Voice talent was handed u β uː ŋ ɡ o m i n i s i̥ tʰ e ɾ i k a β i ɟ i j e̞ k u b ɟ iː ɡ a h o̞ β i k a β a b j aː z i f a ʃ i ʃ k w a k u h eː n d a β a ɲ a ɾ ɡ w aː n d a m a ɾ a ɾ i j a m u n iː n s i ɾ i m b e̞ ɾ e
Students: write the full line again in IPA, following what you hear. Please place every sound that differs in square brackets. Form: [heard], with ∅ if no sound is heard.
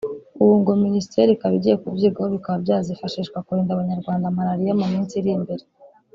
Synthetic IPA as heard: u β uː ŋ ɡ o m i n i s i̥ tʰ e ɾ i k a β i ɟ i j e̞ k u b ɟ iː ɡ a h o̞ β i k a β a b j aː z i f a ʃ i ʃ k w a k u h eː n d a β a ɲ a ɾ ɡ w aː n d a m a ɾ a ɾ i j a m u [m] iː n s i ɾ i m b e̞ ɾ e